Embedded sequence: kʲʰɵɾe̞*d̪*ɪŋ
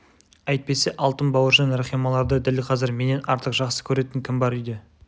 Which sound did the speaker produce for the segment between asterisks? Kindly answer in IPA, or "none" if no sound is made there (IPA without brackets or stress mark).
t̪